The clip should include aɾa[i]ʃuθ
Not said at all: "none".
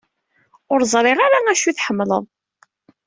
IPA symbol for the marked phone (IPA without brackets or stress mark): æ